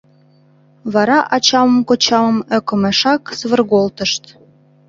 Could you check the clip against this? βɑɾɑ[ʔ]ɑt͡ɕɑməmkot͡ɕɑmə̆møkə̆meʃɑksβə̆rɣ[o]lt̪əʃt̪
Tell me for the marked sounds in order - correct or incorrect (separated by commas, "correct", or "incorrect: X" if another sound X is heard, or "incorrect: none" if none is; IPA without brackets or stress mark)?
correct, correct